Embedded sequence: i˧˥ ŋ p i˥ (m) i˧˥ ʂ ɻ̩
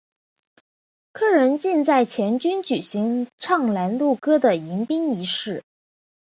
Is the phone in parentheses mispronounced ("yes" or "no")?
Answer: yes